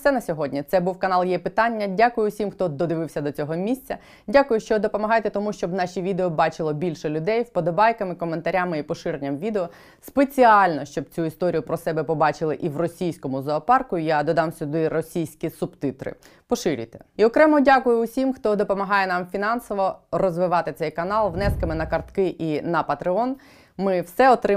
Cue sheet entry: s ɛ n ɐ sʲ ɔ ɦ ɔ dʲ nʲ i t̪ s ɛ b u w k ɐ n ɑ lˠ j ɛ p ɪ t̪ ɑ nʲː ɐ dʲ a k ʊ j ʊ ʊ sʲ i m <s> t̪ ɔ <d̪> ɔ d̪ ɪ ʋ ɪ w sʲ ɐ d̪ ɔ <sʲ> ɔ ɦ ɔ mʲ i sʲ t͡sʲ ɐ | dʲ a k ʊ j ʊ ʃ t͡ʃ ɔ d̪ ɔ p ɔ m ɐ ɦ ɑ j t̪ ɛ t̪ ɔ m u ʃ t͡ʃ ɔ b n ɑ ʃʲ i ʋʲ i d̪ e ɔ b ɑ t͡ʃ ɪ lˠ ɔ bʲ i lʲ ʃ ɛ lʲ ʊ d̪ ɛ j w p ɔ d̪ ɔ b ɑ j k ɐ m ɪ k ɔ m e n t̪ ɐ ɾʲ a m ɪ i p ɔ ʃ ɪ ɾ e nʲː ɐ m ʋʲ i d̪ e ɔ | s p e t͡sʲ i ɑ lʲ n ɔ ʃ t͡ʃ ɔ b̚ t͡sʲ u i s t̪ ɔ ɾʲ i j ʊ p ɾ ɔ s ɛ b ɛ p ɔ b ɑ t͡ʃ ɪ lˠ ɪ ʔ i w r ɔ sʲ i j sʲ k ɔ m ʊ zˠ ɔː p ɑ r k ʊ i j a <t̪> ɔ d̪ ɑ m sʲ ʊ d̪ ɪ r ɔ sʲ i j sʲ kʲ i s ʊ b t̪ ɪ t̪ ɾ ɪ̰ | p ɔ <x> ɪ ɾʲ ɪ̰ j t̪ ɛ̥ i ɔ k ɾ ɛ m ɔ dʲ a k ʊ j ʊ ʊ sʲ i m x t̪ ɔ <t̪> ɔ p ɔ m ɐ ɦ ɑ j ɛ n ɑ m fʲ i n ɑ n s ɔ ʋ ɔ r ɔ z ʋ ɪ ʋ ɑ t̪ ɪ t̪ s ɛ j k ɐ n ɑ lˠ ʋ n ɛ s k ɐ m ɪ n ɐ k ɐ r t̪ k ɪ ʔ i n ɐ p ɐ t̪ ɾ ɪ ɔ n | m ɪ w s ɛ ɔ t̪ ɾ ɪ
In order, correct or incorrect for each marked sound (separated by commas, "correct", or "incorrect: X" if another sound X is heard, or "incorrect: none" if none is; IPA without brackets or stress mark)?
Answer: incorrect: x, correct, incorrect: t͡sʲ, incorrect: d̪, incorrect: ʃ, incorrect: d̪